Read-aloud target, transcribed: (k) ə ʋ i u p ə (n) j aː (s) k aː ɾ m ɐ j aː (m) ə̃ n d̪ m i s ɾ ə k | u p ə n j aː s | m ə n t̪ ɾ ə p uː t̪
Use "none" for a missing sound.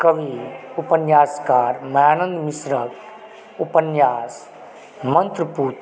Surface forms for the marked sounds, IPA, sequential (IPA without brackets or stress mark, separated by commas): k, n, s, n